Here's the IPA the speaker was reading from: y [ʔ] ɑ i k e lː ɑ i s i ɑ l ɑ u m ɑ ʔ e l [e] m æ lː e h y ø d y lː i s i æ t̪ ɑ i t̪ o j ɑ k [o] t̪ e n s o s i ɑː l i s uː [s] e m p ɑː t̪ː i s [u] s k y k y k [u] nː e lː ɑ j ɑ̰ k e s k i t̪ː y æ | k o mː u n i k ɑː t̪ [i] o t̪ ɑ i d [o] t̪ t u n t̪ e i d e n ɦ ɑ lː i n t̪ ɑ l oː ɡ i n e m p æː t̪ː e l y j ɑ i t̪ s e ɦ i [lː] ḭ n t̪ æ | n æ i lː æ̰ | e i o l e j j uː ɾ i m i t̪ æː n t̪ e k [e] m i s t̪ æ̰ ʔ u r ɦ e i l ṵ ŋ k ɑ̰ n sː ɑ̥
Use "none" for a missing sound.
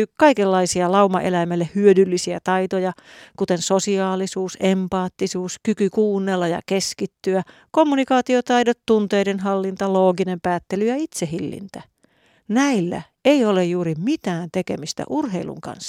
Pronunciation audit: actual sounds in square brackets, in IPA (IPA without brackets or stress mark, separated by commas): k, æ, u, s, uː, uː, i, o, lː, e